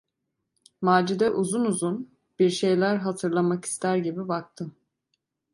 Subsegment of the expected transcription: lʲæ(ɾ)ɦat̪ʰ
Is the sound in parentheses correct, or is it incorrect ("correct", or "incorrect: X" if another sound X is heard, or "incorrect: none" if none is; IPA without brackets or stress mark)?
correct